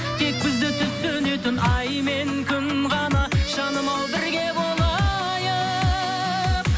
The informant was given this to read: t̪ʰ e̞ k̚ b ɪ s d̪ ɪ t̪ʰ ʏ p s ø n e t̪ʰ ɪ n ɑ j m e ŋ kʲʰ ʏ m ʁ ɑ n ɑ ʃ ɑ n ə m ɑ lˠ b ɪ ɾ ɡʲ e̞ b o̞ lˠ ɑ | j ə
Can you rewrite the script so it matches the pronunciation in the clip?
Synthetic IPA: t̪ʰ e̞ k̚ b ɪ z d̪ ɪ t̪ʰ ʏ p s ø n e t̪ ɪ n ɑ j m e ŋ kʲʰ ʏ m ʁ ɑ n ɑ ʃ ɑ n ə m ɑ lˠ b ɪ ɾ ɡʲ e̞ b o̞ lˠ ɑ | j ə